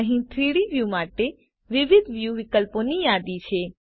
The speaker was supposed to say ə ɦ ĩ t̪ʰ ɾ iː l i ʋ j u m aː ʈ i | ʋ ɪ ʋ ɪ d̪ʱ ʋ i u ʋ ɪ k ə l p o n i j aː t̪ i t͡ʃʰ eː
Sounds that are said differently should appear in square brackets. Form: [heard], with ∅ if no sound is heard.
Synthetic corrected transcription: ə ɦ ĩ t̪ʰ ɾ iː [ɽ] i ʋ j u m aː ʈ [e] | ʋ ɪ ʋ ɪ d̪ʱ ʋ [j] u ʋ ɪ k ə l p o n i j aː [d̪] i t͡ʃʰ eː

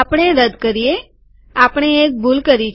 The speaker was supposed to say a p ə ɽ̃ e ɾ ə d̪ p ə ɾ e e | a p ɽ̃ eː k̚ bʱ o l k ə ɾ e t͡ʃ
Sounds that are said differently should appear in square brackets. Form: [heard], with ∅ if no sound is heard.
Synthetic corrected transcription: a p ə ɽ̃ e ɾ ə d̪ [k] ə ɾ [i] e | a p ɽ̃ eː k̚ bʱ [u] l k ə ɾ [i] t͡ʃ

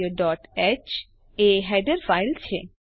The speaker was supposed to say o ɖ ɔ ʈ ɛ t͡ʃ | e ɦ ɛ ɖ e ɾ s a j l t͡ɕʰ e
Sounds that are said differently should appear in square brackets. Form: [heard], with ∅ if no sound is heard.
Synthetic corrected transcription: o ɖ ɔ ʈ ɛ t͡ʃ | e ɦ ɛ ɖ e ɾ [f] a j l t͡ɕʰ e

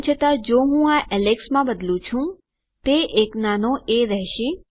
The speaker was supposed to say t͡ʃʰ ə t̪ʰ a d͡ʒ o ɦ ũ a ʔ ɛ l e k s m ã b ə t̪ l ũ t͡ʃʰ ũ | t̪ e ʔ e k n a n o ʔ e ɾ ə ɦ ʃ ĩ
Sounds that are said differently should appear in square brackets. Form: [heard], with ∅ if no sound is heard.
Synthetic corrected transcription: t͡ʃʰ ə [t̪] a d͡ʒ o ɦ ũ a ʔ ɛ l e k s m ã b ə [d̪] l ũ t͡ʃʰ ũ | t̪ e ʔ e k n a n o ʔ e ɾ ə ɦ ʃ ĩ

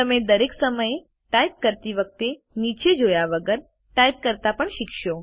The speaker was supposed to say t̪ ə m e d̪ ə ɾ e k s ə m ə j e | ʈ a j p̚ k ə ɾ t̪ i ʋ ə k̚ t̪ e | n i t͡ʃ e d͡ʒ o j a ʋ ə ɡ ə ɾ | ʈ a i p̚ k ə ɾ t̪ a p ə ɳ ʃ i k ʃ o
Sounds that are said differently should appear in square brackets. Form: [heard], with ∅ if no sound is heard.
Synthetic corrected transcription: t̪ ə m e d̪ ə ɾ e k s ə m ə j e | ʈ a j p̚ k ə ɾ t̪ i ʋ ə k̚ t̪ e | n i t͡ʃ e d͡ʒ o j a ʋ ə ɡ ə ɾ | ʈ a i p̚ k ə ɾ t̪ a p ə ɳ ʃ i k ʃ o

